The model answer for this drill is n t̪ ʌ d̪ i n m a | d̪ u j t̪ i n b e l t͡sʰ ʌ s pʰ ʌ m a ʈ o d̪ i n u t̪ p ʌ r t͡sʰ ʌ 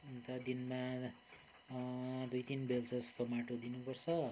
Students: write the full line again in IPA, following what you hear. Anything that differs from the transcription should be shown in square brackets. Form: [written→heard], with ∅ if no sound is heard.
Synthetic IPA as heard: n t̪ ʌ d̪ i n m a | d̪ u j t̪ i n b e l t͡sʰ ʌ s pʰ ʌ m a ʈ o d̪ i n u [t̪→∅] p ʌ r t͡sʰ ʌ